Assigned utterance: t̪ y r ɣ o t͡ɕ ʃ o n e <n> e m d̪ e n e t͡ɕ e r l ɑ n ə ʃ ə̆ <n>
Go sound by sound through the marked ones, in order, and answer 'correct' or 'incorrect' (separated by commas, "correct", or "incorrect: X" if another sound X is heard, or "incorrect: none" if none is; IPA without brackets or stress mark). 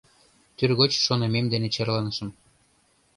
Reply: incorrect: m, incorrect: m